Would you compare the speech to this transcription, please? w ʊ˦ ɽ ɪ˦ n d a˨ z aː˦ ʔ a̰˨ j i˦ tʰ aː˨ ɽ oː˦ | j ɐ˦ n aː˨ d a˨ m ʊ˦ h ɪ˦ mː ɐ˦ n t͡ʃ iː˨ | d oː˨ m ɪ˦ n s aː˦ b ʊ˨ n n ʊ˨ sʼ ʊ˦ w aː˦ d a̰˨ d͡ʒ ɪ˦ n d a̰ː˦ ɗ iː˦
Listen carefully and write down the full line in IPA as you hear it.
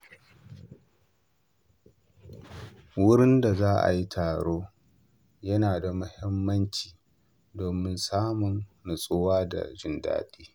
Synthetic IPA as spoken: w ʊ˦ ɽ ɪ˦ n d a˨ z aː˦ ʔ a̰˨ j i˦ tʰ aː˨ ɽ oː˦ | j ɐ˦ n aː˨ d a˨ m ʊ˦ h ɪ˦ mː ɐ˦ n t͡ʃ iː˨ | d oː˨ m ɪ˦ n s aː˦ m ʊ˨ n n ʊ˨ sʼ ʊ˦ w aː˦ d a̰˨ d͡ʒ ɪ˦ n d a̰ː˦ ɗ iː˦